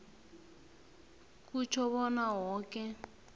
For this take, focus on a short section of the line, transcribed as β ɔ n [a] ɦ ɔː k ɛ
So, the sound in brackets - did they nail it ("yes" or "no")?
yes